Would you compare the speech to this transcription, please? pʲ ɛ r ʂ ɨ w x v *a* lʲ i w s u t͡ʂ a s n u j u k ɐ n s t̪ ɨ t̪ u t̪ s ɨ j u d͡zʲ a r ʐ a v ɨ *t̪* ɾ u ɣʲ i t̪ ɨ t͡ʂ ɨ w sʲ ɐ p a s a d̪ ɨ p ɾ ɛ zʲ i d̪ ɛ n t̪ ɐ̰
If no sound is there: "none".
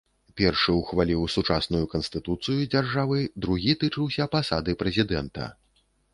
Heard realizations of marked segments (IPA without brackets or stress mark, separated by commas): a, d̪